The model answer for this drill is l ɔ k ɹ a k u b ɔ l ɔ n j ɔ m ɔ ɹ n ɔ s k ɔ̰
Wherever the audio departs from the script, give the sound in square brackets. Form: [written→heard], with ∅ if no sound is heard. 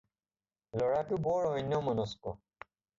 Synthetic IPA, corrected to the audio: l ɔ [k→∅] ɹ a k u b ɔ [l→ɹ] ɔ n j ɔ m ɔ [ɹ→∅] n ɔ s k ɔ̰